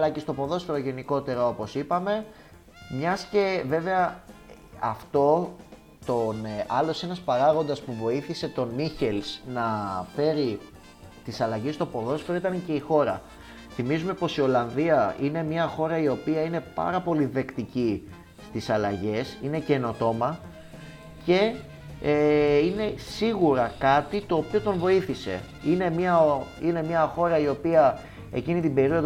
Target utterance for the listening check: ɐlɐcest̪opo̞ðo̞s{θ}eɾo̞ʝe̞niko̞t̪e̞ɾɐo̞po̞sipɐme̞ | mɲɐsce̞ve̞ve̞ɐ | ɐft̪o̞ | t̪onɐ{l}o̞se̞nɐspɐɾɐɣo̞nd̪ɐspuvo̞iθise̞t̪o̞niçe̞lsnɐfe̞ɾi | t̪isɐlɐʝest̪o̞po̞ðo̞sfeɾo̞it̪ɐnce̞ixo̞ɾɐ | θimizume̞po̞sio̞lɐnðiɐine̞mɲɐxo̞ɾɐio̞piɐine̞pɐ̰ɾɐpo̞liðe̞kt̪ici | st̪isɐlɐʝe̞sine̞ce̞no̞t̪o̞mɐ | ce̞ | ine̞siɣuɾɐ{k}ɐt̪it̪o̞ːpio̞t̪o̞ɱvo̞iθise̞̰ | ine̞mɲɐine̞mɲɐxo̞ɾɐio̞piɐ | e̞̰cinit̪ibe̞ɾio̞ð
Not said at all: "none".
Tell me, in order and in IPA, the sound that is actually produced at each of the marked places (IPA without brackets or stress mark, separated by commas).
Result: f, l, k